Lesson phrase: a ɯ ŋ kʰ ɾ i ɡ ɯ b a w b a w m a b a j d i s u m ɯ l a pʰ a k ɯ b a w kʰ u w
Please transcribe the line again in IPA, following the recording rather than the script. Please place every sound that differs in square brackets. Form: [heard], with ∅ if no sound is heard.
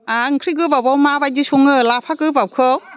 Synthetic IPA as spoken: a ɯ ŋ kʰ ɾ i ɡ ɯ b a w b a w m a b a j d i s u [ŋ] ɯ l a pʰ a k ɯ b a w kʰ [ɯ] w